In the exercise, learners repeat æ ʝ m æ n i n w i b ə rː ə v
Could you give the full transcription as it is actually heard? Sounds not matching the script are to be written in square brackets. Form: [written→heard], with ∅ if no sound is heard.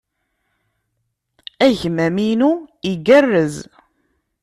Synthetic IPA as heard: æ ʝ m æ [n→m] i n [w→u] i [b→ɡ] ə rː ə [v→z]

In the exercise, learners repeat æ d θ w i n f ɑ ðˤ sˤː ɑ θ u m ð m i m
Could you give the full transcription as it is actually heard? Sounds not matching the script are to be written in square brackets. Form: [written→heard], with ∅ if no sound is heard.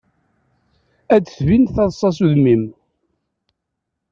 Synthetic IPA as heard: æ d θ [w→v] i n [f→θ] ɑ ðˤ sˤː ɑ [θ→s] u [m→∅] ð m i m

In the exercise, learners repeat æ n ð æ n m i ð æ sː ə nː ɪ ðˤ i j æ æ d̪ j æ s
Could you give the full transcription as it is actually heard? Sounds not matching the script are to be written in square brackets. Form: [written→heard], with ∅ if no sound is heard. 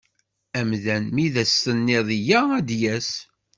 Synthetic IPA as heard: æ [n→m] ð æ n m i ð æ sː ə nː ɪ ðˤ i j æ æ d̪ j æ s

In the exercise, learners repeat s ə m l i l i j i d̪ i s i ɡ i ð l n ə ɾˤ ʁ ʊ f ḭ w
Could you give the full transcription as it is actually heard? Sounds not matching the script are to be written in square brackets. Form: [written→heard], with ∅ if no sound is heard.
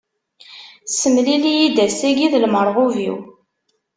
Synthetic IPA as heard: s ə m l i l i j i d̪ [i→æ] s [i→æ] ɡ i ð l [n→m] ə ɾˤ ʁ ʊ [f→v] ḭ w

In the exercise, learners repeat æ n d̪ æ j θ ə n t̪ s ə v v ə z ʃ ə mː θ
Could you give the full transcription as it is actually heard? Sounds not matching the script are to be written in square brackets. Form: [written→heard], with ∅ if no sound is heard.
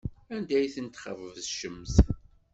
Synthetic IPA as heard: æ n d̪ æ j θ ə n t̪ [s→χ] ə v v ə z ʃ ə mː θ

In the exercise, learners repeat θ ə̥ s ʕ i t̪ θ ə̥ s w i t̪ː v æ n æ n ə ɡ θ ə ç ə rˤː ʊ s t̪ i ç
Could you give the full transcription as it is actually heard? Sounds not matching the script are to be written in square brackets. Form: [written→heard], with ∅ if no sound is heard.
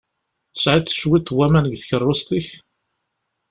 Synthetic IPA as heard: θ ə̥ s ʕ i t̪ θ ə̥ [s→ʃ] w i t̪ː [v→w] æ [n→m] æ n ə ɡ θ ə ç ə rˤː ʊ s t̪ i ç

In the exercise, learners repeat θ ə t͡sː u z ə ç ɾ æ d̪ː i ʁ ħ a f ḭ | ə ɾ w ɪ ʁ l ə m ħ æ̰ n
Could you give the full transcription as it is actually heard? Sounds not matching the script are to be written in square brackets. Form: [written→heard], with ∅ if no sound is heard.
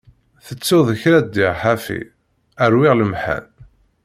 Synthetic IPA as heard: θ ə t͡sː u [z→ð] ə ç ɾ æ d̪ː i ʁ ħ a f ḭ | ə ɾ w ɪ ʁ l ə m ħ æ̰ n

